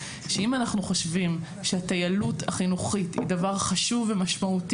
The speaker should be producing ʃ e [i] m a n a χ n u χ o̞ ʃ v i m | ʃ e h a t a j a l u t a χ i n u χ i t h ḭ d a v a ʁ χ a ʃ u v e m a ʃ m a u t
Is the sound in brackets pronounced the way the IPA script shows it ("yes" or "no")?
yes